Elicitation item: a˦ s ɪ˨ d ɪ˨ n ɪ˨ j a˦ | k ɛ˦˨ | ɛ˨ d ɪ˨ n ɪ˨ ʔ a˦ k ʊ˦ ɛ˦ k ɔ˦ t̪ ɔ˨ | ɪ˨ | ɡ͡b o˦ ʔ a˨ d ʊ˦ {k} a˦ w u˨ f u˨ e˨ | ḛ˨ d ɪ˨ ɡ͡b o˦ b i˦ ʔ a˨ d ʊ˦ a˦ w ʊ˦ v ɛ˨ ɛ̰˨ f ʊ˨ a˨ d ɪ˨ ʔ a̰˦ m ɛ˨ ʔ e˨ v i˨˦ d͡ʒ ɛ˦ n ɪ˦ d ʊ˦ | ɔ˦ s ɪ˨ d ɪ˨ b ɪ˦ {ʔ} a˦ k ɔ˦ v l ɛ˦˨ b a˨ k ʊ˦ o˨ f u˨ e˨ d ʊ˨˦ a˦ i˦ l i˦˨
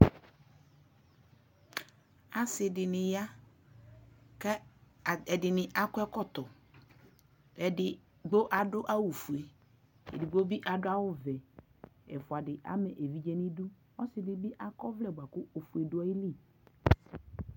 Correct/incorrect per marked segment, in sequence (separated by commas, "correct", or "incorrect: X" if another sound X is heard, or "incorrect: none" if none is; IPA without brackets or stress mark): incorrect: ʔ, correct